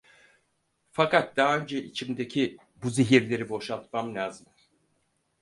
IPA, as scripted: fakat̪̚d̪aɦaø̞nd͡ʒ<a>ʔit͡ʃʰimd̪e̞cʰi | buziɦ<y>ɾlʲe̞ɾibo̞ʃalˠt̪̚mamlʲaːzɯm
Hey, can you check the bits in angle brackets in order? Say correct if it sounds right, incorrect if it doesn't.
incorrect: ɛ, incorrect: i

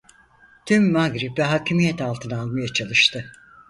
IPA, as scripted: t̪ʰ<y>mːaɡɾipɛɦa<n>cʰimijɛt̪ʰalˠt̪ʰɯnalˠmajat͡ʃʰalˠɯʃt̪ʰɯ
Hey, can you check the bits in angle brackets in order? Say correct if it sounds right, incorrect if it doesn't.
correct, incorrect: none

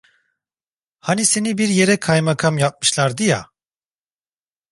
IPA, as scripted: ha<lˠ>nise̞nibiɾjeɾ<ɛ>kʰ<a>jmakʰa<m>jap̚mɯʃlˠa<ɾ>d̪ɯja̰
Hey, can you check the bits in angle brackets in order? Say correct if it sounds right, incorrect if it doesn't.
incorrect: none, correct, correct, correct, correct

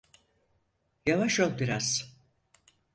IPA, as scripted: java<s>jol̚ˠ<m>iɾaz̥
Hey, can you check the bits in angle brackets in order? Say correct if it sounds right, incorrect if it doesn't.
incorrect: ʃ, incorrect: b

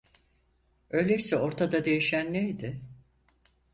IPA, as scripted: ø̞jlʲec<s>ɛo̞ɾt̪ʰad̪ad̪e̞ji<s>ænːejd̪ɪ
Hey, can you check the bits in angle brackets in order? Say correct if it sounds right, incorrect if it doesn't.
correct, incorrect: ʃ

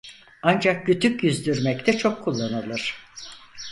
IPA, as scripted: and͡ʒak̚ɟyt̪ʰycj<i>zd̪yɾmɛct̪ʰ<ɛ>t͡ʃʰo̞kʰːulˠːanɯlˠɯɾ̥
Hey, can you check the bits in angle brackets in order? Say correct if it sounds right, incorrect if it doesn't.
incorrect: y, correct

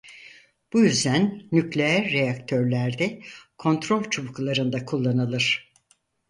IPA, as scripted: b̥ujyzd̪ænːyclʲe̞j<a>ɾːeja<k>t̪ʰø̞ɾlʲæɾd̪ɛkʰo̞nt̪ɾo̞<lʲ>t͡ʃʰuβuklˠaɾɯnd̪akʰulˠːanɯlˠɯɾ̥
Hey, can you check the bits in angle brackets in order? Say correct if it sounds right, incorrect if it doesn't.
incorrect: æ, correct, correct

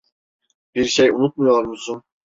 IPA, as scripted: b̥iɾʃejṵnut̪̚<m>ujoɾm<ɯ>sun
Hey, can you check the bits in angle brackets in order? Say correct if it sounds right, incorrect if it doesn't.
correct, incorrect: u

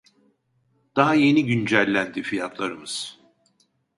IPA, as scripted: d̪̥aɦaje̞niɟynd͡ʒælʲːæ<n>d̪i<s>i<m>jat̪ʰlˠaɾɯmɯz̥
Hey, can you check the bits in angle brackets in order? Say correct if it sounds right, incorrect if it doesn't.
correct, incorrect: f, incorrect: none

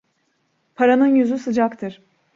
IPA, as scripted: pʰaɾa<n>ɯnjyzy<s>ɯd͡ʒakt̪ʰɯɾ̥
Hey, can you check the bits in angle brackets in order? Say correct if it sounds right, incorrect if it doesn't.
correct, correct

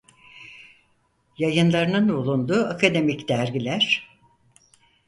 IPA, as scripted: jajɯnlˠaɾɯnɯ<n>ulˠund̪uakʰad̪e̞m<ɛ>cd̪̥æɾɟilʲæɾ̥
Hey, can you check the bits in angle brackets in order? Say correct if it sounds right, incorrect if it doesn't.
correct, incorrect: i

